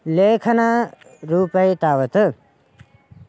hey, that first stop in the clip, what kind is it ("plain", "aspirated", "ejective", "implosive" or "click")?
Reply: aspirated